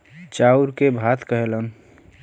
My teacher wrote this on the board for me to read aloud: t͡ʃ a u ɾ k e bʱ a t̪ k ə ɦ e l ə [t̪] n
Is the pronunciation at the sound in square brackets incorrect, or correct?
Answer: incorrect